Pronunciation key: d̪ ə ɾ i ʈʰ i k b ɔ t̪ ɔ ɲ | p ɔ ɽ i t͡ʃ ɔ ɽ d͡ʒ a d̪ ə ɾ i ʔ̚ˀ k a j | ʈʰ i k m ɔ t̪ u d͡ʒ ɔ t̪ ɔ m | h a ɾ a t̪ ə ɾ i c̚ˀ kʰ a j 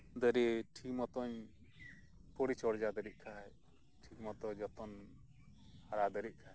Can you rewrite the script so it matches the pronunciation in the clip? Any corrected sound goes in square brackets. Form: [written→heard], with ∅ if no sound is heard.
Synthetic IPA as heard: d̪ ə ɾ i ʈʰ i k [b→m] ɔ t̪ ɔ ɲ | p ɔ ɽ i t͡ʃ ɔ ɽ d͡ʒ a d̪ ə ɾ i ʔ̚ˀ [k→kʰ] a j | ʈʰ i k m ɔ t̪ [u→ɔ] d͡ʒ ɔ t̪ ɔ [m→n] | h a ɾ a [t̪→d̪] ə ɾ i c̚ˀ kʰ a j